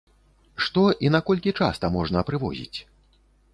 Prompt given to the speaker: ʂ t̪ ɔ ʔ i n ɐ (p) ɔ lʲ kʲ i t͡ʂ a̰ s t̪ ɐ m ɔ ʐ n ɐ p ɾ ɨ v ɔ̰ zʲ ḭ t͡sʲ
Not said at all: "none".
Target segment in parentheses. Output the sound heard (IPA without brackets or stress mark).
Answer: k